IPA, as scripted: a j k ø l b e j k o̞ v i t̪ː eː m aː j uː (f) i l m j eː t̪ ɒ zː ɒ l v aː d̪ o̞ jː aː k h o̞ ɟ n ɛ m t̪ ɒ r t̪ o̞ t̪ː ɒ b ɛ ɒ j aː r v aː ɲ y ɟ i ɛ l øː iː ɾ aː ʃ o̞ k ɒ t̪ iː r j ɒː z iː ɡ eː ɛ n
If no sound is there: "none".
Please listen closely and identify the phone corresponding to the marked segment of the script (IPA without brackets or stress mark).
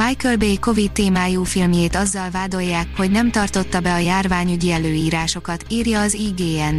f